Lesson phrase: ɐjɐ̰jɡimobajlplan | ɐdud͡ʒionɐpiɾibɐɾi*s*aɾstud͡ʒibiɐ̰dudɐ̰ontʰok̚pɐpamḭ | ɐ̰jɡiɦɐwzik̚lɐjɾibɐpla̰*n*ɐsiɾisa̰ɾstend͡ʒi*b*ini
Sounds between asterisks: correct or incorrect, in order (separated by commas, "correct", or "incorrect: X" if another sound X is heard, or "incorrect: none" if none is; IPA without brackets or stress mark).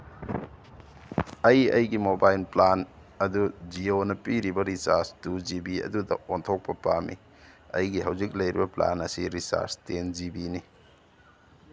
correct, correct, correct